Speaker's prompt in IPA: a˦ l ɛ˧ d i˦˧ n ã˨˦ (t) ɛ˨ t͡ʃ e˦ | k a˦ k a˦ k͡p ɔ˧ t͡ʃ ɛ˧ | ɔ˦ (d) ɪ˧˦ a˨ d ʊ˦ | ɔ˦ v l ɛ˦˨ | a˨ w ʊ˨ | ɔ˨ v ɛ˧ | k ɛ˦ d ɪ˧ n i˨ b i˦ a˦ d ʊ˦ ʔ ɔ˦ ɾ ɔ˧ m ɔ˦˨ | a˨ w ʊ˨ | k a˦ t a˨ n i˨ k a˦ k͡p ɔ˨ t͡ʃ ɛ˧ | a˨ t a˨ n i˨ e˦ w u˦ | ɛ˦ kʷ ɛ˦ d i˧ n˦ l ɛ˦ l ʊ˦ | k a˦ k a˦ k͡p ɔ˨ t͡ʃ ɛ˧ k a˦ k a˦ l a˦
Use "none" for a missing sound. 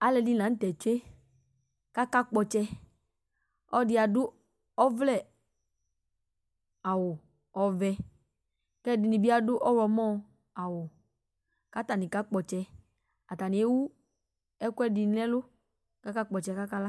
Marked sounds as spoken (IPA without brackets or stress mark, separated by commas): t, d